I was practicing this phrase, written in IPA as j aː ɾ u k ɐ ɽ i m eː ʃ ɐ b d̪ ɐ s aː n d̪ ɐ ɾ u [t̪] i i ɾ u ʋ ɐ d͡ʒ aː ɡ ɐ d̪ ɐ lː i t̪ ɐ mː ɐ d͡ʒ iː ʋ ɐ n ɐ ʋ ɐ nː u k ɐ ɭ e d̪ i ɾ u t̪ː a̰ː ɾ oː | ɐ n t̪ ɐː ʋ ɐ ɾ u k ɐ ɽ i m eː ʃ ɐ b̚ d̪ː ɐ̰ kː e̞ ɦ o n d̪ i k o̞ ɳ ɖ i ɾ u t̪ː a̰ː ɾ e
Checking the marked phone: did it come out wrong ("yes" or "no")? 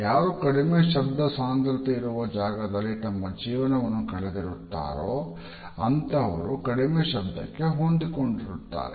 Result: no